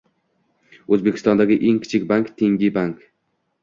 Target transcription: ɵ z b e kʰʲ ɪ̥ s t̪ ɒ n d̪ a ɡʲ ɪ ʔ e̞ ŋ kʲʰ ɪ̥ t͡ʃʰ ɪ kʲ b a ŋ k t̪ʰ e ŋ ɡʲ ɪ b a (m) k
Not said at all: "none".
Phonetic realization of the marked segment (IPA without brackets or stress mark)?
ŋ